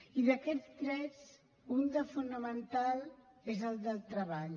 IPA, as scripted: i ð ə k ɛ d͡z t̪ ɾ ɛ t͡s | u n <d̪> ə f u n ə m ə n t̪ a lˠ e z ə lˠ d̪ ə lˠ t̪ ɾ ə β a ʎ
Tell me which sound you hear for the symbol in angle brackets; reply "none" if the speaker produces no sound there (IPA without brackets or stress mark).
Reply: d̪